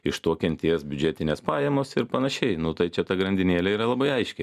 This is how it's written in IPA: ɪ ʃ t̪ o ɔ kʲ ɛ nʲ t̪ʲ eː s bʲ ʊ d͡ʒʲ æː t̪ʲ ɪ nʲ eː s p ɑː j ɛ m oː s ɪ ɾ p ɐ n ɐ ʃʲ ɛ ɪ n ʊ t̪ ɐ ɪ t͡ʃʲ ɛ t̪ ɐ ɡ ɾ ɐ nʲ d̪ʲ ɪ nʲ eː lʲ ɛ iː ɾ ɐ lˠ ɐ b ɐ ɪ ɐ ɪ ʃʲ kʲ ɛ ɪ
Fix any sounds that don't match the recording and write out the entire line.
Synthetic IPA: ɪ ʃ t̪ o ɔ kʲ ɛ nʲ t̪ʲ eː s bʲ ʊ d͡ʒʲ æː t̪ʲ ɪ nʲ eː s p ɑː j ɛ m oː s ɪ ɾ p ɐ n ɐ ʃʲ ɛ ɪ n ʊ t̪ ɐ ɪ t͡ʃʲ ɛ t̪ ɐ ɡ ɾ ɐ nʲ d̪ʲ ɪ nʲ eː lʲ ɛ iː ɾ ɐ lˠ ɐ b ɐ ɪ ɐ ɪ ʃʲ kʲ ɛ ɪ